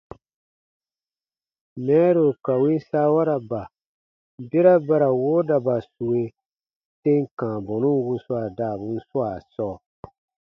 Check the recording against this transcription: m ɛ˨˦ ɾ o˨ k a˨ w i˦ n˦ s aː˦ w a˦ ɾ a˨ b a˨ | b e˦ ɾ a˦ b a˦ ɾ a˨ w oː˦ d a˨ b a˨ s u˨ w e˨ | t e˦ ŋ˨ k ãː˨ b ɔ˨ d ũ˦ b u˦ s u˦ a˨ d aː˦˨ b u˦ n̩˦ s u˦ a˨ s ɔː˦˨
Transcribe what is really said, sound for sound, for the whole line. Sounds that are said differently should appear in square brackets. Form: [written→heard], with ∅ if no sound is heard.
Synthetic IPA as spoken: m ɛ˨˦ ɾ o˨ k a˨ w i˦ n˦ s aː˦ w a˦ ɾ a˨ b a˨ | b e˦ ɾ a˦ b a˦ ɾ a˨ w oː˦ d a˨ b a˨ s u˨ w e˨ | t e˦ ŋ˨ k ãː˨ b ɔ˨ [d→n] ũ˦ [b→w] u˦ s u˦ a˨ d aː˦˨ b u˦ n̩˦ s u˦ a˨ s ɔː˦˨